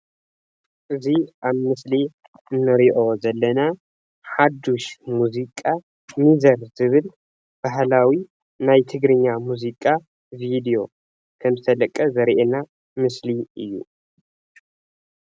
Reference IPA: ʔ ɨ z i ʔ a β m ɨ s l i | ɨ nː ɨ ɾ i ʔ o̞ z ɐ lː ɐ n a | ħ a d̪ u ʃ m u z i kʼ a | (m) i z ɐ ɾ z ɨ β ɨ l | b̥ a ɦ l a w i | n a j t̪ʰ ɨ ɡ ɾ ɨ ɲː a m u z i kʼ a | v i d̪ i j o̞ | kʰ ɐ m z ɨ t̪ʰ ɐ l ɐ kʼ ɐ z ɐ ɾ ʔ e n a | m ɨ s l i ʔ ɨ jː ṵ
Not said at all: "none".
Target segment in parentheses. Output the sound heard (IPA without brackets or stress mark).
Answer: m